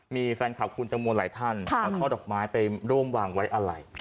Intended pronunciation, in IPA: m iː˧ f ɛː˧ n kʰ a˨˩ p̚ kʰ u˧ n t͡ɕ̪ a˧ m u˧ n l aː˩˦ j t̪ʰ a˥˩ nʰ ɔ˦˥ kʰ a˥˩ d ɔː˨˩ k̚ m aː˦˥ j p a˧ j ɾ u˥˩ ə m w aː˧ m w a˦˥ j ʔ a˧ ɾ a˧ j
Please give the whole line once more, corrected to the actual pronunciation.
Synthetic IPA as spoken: m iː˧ f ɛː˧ n kʰ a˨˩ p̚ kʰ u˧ n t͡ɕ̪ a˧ m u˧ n l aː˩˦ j t̪ʰ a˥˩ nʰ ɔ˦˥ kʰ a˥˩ d ɔː˨˩ k̚ m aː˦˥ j p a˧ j ɾ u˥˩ ə m w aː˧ ŋ w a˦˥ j ʔ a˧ ɾ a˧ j